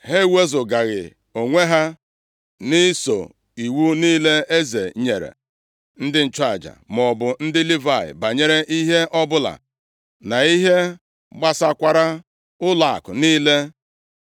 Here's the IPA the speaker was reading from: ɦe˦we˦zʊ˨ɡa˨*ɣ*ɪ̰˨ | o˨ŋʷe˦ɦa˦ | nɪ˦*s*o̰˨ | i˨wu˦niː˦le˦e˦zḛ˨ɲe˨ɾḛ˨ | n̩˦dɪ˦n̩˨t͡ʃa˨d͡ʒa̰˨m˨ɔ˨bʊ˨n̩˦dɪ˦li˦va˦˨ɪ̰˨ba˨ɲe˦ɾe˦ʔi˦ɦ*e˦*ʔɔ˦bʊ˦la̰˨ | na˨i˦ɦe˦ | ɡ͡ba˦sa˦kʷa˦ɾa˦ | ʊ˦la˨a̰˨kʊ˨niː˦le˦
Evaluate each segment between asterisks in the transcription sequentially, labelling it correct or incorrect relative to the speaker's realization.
correct, correct, correct

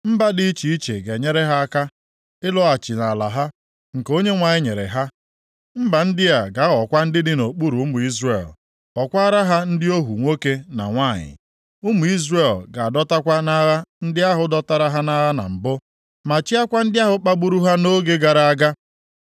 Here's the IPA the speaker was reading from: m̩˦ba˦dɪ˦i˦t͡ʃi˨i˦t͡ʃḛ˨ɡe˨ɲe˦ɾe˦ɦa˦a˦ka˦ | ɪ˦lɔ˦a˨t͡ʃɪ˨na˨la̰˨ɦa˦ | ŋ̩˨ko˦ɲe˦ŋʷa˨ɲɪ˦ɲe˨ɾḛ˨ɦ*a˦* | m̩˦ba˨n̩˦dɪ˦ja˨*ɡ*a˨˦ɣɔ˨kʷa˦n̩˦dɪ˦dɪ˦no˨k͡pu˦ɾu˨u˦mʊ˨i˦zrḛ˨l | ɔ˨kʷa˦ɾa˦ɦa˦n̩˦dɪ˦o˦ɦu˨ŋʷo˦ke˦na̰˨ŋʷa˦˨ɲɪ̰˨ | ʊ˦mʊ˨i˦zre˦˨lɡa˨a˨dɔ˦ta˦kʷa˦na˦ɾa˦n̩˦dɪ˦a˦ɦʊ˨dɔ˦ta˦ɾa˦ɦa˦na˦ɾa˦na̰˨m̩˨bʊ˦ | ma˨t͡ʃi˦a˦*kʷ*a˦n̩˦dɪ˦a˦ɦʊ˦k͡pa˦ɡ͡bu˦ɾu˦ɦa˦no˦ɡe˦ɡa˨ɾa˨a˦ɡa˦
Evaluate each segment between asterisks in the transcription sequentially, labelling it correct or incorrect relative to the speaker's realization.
correct, correct, correct

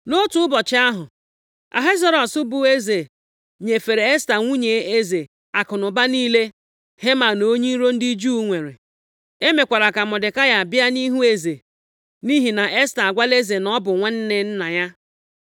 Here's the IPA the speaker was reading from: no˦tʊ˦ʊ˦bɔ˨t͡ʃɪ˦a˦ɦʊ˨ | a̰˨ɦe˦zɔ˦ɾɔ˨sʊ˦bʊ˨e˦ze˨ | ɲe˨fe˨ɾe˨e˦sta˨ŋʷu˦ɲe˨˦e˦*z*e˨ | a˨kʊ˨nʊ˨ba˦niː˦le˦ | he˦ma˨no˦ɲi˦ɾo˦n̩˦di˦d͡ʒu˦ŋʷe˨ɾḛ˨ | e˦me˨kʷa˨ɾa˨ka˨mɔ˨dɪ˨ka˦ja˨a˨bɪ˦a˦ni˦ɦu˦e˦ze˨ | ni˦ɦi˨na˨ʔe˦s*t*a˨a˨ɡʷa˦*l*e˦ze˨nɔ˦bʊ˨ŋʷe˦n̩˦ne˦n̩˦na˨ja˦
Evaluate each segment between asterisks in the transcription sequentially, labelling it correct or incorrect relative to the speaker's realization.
correct, correct, correct

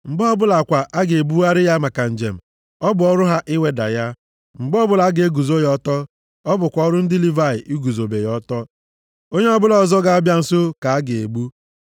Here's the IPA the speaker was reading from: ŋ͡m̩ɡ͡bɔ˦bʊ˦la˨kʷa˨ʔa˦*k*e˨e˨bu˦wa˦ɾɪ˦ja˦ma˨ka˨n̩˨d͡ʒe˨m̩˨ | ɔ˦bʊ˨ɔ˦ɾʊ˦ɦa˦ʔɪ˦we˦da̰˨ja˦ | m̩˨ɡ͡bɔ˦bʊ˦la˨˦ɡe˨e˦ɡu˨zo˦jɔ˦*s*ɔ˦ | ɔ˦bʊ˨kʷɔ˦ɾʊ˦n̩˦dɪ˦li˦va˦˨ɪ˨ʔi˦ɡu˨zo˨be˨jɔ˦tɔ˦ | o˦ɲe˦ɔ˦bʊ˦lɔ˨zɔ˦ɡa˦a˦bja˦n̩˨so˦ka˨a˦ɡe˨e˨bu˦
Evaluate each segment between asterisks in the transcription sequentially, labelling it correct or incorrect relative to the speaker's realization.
incorrect: ɡ, incorrect: t

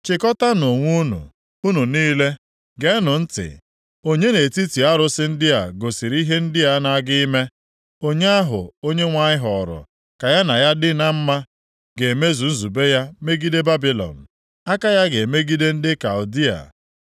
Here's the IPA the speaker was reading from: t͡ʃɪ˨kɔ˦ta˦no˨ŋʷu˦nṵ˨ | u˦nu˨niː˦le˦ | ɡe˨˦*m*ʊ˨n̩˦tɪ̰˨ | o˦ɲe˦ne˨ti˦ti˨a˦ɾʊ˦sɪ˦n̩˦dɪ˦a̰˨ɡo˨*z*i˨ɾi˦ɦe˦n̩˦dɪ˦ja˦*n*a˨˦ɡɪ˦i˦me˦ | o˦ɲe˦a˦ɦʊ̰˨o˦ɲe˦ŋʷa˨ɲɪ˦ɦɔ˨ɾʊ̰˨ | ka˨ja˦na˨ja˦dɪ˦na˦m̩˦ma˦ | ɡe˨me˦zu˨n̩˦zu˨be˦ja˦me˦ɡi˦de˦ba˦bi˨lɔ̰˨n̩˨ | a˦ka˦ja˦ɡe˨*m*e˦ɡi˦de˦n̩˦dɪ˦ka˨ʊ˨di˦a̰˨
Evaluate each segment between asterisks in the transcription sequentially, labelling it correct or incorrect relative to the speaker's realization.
incorrect: n, incorrect: s, correct, correct

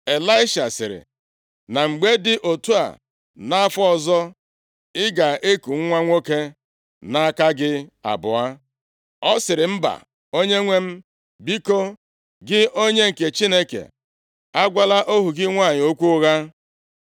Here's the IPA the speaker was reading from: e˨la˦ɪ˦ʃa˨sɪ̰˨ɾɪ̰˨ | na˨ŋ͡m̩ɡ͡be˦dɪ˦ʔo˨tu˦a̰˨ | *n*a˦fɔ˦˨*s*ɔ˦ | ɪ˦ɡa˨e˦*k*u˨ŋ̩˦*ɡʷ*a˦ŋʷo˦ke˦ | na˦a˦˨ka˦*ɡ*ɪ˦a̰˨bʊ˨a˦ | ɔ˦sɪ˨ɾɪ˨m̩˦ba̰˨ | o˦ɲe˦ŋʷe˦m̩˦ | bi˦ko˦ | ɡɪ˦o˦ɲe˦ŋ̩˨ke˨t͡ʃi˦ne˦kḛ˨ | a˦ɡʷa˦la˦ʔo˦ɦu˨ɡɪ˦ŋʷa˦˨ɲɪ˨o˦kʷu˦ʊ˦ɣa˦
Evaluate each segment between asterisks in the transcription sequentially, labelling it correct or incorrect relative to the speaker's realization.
correct, incorrect: z, correct, incorrect: ŋʷ, correct

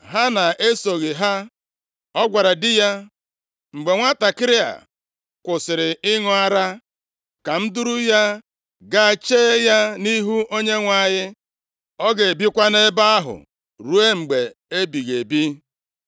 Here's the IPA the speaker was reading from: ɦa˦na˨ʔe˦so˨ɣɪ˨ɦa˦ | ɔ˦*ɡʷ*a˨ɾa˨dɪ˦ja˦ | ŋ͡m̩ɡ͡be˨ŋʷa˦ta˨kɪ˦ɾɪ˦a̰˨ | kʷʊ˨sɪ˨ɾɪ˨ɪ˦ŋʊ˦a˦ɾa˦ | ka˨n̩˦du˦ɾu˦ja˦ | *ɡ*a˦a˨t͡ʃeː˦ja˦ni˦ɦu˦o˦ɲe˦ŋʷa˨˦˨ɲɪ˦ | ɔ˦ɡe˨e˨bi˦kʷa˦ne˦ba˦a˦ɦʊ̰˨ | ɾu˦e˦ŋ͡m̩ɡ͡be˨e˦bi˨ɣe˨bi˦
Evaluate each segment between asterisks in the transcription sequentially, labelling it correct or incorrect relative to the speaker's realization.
correct, correct

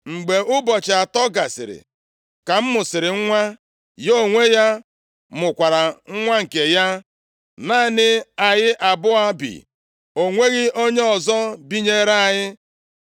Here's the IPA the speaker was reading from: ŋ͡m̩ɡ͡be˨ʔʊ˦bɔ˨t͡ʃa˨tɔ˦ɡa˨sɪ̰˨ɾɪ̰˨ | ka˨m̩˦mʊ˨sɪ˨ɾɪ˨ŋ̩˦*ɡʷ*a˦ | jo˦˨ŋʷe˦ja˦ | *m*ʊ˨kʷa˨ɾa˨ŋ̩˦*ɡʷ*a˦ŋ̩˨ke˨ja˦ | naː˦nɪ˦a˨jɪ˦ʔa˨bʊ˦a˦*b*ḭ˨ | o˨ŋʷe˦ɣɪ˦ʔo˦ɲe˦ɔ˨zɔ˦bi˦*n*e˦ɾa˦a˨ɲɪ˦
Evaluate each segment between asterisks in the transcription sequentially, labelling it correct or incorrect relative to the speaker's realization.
incorrect: ŋʷ, correct, incorrect: ŋʷ, correct, incorrect: ɲ

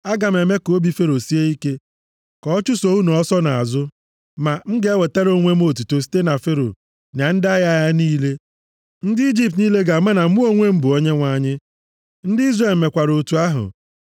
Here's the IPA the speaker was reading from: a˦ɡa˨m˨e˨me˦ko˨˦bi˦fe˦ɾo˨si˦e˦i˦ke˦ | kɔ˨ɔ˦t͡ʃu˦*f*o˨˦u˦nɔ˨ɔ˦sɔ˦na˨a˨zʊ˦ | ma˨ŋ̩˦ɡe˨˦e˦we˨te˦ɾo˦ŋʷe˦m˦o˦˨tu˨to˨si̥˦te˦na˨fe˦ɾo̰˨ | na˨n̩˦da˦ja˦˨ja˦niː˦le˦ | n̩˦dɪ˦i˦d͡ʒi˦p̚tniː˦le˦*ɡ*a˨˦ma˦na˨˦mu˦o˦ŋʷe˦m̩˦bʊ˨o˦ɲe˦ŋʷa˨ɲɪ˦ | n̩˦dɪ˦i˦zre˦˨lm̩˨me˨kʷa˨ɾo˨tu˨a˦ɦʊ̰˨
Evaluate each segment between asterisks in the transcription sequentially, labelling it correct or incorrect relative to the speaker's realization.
incorrect: s, correct

